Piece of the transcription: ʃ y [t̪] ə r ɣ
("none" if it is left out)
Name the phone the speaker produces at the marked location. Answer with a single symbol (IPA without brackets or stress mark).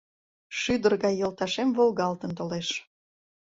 d̪